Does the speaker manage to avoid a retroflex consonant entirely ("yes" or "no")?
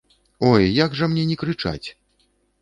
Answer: no